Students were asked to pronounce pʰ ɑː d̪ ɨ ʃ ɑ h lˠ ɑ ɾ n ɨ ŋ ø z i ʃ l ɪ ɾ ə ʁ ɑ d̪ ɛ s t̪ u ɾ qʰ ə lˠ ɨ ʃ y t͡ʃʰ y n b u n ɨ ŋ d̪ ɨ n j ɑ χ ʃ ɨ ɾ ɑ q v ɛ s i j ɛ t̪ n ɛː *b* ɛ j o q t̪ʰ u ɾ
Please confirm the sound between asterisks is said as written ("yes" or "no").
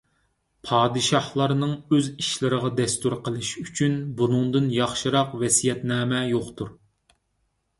no